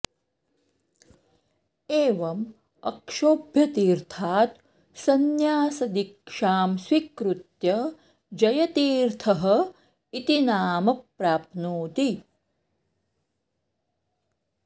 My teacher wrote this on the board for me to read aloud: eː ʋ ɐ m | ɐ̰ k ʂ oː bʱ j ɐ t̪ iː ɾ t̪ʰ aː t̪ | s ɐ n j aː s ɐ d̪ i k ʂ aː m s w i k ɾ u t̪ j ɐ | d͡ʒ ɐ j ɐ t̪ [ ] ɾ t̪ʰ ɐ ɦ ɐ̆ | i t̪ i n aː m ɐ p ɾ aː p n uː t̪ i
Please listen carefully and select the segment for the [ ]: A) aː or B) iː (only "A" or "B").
B